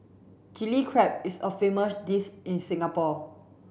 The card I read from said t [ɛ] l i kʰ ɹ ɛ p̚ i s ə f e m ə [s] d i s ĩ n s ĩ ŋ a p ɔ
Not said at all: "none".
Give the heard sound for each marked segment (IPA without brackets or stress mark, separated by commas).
i, s